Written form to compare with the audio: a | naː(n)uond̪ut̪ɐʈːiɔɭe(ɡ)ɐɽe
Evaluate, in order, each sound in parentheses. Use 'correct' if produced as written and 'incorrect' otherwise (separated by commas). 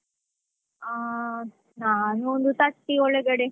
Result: correct, correct